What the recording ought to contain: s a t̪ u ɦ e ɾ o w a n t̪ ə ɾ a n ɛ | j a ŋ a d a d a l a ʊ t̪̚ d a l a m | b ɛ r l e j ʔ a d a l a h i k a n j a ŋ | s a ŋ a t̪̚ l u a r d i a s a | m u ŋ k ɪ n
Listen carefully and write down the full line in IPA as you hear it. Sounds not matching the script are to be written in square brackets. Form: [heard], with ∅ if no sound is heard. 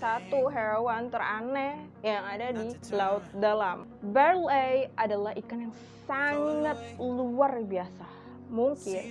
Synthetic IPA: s a t̪ u ɦ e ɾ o w a n t̪ ə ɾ a n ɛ | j a ŋ a d a d [i] l a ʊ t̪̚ d a l a m | b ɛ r l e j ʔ a d a l a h i k a n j a ŋ | s a ŋ a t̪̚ l u a r [b] i a s a | m u ŋ k ɪ n

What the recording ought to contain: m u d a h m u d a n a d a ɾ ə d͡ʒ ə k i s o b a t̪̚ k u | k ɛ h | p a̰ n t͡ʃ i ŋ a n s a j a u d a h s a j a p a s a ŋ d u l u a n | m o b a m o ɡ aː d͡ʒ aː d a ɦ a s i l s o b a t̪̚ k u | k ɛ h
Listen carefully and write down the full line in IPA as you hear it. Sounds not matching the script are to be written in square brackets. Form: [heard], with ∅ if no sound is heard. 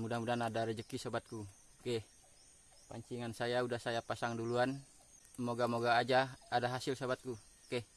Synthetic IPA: m u d a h m u d a n a d a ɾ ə d͡ʒ ə k i s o b a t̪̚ k u | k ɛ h | p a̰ [ɲ] t͡ʃ i ŋ a n s a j a u d a h s a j a p a s a ŋ d u l u a n | m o [ɡ] a m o ɡ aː d͡ʒ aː d a ɦ a s i l s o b a t̪̚ k u | k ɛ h

